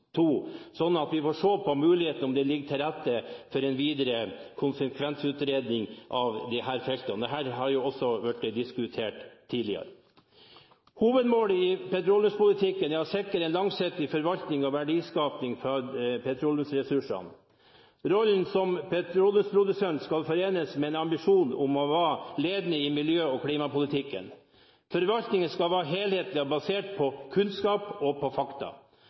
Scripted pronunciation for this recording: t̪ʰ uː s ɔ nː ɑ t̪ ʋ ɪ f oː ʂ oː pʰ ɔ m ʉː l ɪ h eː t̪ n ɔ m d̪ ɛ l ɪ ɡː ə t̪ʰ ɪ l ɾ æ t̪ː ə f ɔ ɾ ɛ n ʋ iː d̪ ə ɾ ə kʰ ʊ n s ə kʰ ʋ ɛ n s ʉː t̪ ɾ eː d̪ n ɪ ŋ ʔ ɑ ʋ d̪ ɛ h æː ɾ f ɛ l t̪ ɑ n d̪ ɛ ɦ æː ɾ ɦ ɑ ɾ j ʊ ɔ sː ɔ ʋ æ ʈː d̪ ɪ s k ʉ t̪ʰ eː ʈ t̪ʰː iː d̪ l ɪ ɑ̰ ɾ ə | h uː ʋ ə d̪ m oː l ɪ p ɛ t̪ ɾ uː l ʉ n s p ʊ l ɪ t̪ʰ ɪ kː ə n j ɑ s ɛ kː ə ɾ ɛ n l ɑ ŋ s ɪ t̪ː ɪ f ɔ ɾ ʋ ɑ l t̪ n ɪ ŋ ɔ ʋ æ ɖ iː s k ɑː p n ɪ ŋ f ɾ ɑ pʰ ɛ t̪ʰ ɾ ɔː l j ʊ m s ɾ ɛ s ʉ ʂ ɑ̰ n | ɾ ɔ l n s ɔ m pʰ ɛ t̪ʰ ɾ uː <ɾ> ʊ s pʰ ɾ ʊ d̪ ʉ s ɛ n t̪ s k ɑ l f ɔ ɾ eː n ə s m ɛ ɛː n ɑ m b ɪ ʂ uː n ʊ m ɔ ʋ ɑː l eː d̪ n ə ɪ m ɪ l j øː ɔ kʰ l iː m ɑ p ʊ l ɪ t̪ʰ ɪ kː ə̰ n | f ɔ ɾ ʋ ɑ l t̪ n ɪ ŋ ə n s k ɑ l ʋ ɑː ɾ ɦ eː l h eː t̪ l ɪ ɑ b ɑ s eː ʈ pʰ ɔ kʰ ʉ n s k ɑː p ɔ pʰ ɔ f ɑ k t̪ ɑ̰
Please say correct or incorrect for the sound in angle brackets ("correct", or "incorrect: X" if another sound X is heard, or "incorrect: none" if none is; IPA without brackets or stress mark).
incorrect: l